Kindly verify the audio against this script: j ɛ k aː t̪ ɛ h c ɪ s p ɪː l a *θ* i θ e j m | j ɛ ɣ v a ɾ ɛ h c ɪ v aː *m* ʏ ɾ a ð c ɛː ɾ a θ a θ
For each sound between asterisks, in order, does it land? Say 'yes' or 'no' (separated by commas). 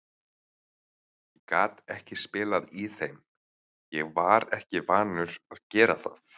no, no